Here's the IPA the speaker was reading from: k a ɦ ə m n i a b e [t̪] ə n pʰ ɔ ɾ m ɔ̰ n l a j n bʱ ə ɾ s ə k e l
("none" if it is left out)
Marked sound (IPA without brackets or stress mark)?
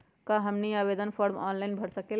d̪